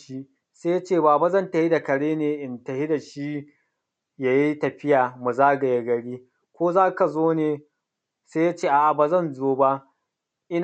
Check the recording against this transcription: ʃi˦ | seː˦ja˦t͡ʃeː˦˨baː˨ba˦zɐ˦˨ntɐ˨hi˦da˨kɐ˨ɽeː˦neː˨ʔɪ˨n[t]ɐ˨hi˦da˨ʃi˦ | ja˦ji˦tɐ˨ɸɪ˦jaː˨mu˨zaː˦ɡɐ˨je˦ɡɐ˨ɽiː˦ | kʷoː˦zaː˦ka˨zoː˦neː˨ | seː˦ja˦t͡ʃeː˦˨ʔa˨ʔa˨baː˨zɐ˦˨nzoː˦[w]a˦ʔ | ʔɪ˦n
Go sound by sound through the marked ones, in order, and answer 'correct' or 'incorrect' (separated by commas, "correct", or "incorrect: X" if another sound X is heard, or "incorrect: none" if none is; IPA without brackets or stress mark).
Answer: correct, incorrect: b